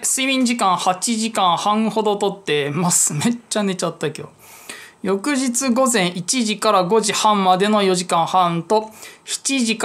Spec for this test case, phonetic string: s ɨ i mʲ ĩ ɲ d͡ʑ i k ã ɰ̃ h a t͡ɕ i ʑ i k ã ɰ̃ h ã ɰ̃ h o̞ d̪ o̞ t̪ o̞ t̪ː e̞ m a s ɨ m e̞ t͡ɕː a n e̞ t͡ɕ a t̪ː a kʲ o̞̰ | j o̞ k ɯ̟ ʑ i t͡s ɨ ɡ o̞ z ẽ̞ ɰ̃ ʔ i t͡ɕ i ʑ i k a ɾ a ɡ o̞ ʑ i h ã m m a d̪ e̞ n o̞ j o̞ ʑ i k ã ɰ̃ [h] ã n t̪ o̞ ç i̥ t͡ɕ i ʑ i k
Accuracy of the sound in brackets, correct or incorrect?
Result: correct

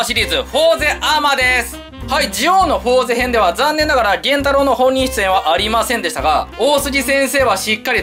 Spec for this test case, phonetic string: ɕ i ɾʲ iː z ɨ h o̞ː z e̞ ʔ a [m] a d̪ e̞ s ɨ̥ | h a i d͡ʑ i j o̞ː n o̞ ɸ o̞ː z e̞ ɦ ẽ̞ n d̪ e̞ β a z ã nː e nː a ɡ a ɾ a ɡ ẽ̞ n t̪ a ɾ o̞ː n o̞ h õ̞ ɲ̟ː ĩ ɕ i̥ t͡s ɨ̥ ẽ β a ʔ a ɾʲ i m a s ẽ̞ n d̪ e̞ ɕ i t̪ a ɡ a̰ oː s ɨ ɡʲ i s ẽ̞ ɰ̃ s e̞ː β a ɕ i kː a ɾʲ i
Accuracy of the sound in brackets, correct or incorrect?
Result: correct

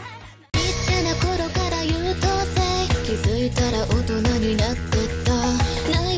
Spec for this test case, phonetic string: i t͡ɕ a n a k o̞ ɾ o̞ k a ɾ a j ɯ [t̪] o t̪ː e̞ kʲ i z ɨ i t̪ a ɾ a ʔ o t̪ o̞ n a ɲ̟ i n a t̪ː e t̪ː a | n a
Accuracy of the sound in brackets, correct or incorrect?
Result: correct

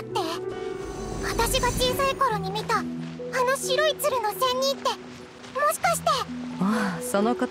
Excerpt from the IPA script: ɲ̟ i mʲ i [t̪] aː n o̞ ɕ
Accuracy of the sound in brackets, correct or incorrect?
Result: correct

